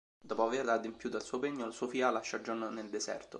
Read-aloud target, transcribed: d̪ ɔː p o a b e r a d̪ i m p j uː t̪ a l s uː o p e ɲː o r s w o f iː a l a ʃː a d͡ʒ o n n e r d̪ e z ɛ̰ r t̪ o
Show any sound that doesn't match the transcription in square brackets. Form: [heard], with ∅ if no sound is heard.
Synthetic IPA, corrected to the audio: d̪ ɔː p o a [v] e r a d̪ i m p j uː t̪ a l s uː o p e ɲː o [l] s [u] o f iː a l a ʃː a d͡ʒ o n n e [l] d̪ e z ɛ̰ r t̪ o